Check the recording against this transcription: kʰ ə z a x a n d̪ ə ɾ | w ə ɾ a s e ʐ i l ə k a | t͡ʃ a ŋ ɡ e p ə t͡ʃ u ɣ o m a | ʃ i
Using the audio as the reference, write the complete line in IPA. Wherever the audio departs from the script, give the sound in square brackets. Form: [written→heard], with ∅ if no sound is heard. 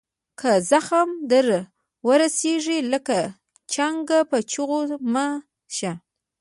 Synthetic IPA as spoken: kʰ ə z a x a [n→m] d̪ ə ɾ | w ə ɾ a s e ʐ i l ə k a | t͡ʃ a ŋ ɡ [e→a] p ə t͡ʃ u ɣ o m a | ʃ [i→a]